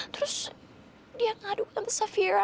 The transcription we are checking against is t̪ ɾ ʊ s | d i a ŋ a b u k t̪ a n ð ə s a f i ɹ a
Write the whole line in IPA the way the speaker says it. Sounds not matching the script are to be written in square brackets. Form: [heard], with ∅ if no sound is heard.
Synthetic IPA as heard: t̪ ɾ ʊ s | d i a ŋ a [d] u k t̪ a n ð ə s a f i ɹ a

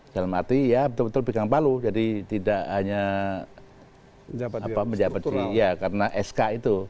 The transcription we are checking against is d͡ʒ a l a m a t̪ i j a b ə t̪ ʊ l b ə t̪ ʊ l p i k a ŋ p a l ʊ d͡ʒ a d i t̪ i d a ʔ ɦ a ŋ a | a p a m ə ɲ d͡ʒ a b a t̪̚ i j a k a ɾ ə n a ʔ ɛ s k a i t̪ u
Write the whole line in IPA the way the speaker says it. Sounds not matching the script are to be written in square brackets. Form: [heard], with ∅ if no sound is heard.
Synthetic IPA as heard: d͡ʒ a l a m a t̪ i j a b ə t̪ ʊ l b ə t̪ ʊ l p i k a ŋ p a l [u] d͡ʒ a d i t̪ i d a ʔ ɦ a [ɲ] a | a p a m ə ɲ d͡ʒ a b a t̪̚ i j a k a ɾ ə n a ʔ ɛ s k a i t̪ u

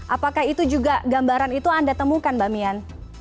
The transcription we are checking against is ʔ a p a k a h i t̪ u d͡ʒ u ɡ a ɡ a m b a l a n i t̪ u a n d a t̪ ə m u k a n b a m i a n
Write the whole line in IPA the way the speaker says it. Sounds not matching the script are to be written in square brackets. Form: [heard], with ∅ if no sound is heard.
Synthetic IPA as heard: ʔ a p a k a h i t̪ u d͡ʒ u ɡ a ɡ a m b a [ɾ] a n i t̪ u a n d a t̪ ə m u k a n b a m i a n

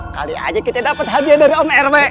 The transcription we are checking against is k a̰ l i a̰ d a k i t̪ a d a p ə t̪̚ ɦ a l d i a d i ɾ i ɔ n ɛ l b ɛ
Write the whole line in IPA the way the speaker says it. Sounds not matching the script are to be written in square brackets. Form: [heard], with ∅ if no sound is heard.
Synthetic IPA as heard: k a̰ l i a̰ [d͡ʒ] a k i t̪ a d a p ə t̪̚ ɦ a [∅] d i a d [a] ɾ i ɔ [m] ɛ [r] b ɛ

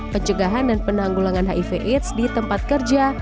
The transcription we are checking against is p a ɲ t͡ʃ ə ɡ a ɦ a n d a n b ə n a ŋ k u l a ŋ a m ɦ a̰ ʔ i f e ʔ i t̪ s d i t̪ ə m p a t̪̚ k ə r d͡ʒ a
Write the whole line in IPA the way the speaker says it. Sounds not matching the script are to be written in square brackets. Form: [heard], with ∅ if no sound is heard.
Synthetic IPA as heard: p [ə] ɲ t͡ʃ ə ɡ a ɦ a n d a n [p] ə n a ŋ [ɡ] u l a ŋ a [n] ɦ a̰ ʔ i f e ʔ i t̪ s d i t̪ ə m p a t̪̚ k ə r d͡ʒ a

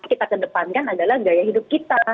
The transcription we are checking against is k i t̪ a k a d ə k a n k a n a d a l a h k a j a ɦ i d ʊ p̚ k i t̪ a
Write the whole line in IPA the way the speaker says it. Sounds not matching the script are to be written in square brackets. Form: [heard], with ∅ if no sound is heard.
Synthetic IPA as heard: k i t̪ a k [ə] d ə [p] a n k a n a d a l a h [ɡ] a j a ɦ i d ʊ p̚ k i t̪ a

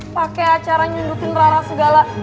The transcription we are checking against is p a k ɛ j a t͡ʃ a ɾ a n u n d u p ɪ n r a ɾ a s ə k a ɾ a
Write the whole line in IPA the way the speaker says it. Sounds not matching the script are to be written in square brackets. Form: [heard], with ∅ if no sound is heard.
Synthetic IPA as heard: p a k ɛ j a t͡ʃ a ɾ a [ɲ] u n d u [k] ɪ n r a ɾ a s ə [ɡ] a [l] a

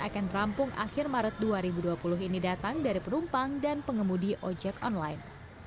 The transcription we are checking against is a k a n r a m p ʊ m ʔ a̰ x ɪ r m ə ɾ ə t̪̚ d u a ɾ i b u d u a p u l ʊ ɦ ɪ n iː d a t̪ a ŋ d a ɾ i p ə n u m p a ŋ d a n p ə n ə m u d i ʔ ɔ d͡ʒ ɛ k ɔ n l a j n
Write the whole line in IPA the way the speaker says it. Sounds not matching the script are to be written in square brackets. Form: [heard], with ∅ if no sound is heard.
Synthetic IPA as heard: a k a n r a m p ʊ [ŋ] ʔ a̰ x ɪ r m [a] ɾ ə t̪̚ d u a ɾ i b u d u a p u l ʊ ɦ [i] n [i] d a t̪ a ŋ d a ɾ i p ə n u m p a ŋ d a n p ə [ŋ] ə m u d i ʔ ɔ d͡ʒ ɛ k ɔ n l a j n

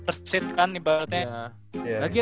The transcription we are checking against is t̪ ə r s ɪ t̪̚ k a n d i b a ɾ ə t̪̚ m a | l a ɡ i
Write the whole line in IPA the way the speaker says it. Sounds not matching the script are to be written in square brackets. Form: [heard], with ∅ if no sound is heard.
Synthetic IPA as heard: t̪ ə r s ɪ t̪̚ k a n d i b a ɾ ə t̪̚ [ɲ] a | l a ɡ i

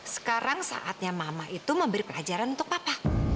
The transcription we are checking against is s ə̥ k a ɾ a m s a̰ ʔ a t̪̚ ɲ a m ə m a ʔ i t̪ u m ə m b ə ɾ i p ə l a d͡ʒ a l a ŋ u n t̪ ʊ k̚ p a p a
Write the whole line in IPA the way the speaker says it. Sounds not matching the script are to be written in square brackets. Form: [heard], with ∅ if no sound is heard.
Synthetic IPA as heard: s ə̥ k a ɾ a [ŋ] s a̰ ʔ a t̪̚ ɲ a m [a] m a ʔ i t̪ u m ə m b ə ɾ i p ə l a d͡ʒ a [ɾ] a [n] u n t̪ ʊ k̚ p a p a

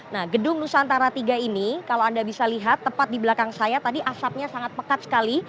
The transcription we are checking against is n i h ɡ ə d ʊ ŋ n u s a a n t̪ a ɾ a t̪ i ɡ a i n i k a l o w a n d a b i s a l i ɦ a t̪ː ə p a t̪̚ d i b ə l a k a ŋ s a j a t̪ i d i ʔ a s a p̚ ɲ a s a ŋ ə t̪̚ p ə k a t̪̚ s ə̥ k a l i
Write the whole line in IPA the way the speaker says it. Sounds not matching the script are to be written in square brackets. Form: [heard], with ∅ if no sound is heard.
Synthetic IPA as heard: n [a] h ɡ ə d ʊ ŋ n u s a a n t̪ a ɾ a t̪ i ɡ a i n i k a l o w a n d a b i s a l i ɦ a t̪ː ə p a t̪̚ d i b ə l a k a ŋ s a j a t̪ [a] d i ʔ a s a p̚ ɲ a s a ŋ [a] t̪̚ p ə k a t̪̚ s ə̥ k a l i

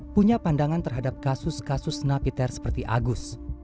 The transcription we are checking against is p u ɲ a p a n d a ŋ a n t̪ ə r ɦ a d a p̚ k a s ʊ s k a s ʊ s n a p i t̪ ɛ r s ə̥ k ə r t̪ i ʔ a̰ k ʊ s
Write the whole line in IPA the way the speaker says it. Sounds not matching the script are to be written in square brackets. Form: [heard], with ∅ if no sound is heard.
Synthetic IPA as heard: p u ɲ a p a n d a ŋ a n t̪ ə r ɦ a d a p̚ k a s ʊ s k a s ʊ s n a p i t̪ ɛ r s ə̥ [p] ə r t̪ i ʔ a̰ [ɡ] ʊ s

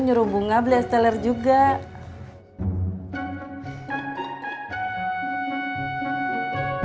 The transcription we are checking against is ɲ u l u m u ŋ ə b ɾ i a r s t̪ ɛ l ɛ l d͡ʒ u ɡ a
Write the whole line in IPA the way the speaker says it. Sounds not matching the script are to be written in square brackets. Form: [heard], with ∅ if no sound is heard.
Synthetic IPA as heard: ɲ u [ɾ] u [b] u ŋ [a] b [l] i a [∅] s t̪ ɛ l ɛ [r] d͡ʒ u ɡ a

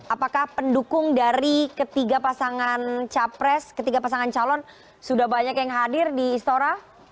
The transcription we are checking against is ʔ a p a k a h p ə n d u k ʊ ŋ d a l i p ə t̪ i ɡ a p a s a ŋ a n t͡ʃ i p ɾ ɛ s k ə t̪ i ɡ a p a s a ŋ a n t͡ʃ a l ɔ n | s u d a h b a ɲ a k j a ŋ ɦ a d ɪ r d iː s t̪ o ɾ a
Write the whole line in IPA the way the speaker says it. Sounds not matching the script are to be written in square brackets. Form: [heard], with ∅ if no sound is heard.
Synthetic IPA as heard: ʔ a p a k a h p ə n d u k ʊ ŋ d a [ɾ] i [k] ə t̪ i ɡ a p a s a ŋ a n t͡ʃ [a] p ɾ ɛ s k ə t̪ i ɡ a p a s a ŋ a n t͡ʃ a l ɔ n | s u d a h b a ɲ a k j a ŋ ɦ a d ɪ r d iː s t̪ o ɾ a

